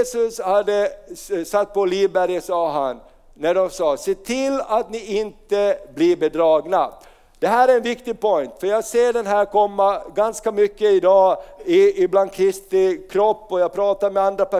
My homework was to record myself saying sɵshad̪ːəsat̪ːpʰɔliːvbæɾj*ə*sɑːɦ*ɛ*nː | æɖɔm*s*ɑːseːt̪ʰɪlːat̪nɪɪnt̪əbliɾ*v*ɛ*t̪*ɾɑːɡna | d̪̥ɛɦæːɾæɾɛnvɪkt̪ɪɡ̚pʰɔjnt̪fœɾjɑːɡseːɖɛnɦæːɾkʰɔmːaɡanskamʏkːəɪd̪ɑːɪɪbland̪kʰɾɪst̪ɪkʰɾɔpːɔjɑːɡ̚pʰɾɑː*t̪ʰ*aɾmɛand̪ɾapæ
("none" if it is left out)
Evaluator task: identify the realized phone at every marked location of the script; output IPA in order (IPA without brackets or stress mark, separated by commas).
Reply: ə, a, s, b, d̪, t̪